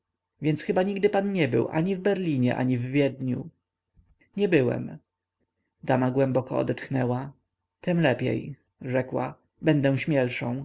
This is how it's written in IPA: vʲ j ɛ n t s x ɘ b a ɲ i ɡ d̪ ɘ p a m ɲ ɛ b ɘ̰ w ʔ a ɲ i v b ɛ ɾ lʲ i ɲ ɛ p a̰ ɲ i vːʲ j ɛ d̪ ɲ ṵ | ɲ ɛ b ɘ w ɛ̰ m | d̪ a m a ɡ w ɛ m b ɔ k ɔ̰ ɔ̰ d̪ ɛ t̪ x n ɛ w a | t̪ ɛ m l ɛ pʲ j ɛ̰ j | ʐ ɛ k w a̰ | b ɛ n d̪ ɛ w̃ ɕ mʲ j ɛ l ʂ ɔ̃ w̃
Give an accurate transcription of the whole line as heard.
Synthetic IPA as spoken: vʲ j ɛ n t s x ɘ b a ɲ i ɡ d̪ ɘ p a n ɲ ɛ b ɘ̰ w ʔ a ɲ i v b ɛ ɾ lʲ i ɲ ɛ ʔ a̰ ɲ i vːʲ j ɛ d̪ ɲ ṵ | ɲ ɛ b ɘ w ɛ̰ m | d̪ a m a ɡ w ɛ m b ɔ k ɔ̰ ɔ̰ d̪ ɛ t̪ x n ɛ w a | t̪ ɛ m l ɛ pʲ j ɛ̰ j | ʐ ɛ k w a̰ | b ɛ n d̪ ɛ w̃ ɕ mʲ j ɛ l ʂ ɔ̃ w̃